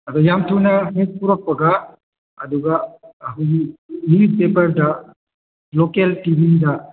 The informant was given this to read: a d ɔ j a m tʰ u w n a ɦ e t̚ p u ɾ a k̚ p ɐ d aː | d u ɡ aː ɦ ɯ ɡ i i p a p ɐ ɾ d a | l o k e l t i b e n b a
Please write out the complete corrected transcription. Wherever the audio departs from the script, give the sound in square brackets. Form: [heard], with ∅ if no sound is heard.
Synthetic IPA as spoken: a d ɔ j a m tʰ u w n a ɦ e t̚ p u ɾ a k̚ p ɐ [ɡ] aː | d u ɡ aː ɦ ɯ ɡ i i p [e] p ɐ ɾ d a | l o k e l t i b [i] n [d] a